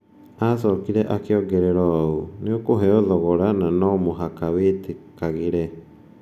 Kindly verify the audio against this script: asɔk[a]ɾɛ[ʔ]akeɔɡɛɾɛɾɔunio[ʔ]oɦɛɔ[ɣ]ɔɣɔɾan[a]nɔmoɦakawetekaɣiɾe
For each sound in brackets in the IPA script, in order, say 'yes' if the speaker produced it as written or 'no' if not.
no, yes, no, no, yes

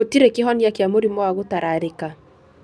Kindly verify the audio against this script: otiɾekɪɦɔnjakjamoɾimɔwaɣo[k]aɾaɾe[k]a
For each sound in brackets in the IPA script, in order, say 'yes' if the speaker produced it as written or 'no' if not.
no, yes

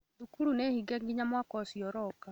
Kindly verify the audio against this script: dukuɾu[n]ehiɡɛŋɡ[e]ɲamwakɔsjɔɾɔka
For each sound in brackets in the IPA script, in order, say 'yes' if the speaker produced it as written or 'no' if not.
yes, no

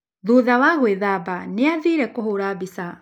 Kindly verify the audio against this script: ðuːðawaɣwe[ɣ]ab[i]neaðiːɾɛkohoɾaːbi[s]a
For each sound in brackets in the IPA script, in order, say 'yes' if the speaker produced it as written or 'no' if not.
no, no, yes

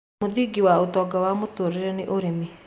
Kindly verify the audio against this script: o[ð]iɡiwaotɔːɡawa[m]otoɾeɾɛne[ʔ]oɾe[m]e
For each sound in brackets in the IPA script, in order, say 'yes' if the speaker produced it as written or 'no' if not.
yes, yes, yes, yes

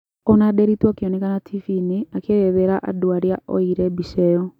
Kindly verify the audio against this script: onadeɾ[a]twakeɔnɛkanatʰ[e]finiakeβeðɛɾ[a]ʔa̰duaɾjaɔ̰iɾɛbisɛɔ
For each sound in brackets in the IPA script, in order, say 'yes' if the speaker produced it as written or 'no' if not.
no, no, yes

